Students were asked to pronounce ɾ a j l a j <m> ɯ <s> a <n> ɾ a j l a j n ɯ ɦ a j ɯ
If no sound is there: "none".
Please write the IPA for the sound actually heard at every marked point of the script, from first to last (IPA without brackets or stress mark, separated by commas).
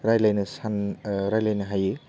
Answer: n, s, n